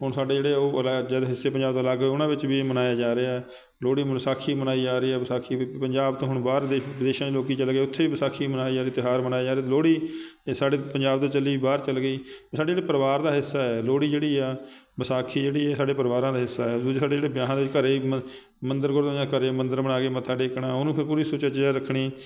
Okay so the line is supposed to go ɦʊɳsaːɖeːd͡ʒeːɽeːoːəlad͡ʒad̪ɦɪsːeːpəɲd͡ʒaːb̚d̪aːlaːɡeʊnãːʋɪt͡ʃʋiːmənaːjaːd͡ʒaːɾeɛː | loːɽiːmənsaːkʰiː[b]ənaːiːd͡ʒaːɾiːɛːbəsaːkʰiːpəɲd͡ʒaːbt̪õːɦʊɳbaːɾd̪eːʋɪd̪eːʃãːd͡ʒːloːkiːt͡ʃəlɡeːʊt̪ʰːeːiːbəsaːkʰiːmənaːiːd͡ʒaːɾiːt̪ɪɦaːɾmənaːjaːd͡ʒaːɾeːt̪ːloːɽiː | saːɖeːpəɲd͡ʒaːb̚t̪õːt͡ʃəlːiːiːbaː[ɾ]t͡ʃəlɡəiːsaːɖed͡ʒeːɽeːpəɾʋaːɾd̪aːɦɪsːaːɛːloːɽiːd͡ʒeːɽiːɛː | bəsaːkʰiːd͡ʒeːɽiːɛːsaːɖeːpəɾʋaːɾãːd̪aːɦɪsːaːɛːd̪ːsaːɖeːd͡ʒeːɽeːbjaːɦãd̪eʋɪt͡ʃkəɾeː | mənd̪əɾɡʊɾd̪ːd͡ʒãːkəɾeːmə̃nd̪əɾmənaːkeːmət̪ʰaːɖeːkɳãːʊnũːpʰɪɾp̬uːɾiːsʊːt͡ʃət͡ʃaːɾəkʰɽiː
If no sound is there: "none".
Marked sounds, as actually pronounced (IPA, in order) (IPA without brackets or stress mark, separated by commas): m, ɾ